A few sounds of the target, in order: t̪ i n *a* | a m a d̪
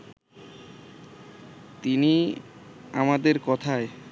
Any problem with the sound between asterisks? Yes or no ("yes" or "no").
yes